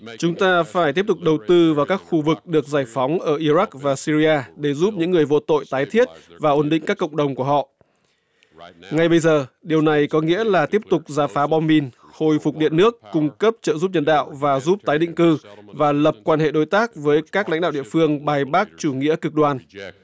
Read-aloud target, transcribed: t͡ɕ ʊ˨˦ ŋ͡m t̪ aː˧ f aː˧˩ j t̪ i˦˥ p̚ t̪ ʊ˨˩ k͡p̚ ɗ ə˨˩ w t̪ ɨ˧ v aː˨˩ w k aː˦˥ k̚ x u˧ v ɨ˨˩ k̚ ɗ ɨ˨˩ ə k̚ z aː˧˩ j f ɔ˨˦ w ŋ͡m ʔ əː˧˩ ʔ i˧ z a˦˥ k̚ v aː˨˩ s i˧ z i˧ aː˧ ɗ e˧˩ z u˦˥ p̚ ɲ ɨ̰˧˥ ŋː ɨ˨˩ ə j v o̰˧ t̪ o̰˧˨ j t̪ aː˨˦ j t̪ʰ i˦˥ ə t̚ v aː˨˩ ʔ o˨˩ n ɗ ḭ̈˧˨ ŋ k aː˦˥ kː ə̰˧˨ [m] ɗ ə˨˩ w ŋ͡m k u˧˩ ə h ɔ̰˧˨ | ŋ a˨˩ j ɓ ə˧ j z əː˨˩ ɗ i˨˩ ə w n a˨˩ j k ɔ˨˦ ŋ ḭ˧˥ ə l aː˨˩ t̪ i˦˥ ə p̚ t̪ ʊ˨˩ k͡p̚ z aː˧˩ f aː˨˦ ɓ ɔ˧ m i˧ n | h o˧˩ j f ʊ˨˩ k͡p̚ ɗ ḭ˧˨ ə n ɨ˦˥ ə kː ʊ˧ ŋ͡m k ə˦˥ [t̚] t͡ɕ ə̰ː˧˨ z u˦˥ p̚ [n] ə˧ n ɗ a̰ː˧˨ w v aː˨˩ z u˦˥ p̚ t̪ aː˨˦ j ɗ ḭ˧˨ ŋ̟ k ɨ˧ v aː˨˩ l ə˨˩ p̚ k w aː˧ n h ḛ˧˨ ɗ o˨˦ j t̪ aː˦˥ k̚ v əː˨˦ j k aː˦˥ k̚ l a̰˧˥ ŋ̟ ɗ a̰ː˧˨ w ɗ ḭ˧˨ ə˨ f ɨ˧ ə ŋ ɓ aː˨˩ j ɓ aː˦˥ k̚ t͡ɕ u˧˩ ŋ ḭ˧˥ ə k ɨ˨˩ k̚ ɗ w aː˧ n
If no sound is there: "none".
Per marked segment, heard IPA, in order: ŋ͡m, p̚, ɲ

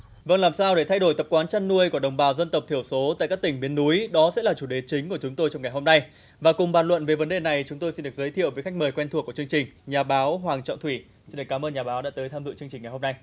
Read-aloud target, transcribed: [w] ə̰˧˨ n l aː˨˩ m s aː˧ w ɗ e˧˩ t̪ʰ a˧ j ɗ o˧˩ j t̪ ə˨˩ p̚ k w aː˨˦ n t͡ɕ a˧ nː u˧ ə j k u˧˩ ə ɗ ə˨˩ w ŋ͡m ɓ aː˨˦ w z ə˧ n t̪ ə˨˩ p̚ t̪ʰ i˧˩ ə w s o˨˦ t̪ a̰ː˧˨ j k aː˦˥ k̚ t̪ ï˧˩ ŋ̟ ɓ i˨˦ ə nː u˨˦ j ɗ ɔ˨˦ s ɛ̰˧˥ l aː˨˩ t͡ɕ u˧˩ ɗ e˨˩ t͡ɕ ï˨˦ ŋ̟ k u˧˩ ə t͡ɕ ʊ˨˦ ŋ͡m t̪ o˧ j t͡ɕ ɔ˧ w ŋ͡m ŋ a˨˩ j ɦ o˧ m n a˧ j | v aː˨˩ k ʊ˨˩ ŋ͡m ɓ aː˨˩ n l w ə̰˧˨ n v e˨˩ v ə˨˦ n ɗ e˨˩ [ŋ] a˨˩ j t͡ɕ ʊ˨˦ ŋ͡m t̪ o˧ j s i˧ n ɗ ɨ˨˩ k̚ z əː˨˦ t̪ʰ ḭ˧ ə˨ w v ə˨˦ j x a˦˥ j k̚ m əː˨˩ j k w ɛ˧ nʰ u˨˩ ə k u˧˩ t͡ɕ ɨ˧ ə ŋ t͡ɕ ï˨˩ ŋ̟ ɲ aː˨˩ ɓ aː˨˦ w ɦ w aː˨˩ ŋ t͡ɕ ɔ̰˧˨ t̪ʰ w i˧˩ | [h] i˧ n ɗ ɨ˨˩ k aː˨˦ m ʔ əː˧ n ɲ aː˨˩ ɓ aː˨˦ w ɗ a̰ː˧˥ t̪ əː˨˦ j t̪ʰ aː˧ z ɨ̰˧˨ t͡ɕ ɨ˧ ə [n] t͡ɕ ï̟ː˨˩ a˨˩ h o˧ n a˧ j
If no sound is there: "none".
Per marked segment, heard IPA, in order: v, n, s, ŋ

